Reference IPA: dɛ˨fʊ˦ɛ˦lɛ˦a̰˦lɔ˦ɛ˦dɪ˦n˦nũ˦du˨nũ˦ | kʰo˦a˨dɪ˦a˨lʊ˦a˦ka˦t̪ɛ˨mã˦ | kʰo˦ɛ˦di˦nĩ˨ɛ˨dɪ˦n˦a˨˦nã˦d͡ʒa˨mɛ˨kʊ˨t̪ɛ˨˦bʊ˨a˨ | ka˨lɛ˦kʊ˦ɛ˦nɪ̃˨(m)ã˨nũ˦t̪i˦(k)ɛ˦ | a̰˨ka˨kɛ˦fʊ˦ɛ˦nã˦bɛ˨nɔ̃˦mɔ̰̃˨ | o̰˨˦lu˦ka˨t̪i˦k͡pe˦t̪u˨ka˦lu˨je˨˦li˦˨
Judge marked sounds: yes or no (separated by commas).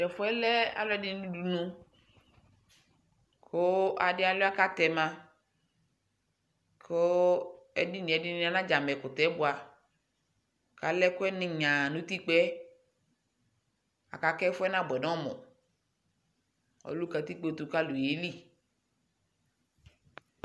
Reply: no, no